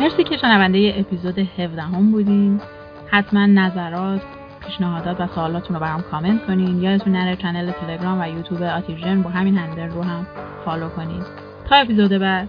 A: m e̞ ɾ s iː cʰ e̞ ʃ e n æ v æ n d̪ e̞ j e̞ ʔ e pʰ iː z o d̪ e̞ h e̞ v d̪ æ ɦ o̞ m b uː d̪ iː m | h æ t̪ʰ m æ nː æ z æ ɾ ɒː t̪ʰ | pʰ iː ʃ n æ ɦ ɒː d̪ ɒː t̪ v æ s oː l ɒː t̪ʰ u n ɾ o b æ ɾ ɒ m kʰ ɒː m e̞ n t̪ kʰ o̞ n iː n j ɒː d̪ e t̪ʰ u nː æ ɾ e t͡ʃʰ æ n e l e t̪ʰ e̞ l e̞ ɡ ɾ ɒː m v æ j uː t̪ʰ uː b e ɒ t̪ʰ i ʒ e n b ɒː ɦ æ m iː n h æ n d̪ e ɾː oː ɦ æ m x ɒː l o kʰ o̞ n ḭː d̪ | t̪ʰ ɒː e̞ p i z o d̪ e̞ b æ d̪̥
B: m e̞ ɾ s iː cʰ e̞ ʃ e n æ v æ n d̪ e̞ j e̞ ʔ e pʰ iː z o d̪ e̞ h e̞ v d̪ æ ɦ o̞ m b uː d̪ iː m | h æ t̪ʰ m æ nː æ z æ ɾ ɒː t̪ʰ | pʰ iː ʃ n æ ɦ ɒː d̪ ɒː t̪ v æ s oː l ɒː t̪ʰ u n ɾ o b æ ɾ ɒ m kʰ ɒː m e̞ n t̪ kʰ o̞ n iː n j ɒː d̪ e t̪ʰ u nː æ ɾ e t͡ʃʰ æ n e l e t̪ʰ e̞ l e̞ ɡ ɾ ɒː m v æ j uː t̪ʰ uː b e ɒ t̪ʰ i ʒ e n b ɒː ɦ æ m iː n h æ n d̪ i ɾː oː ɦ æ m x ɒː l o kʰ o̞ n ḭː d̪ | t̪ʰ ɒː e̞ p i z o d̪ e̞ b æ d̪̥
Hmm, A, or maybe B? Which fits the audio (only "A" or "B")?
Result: A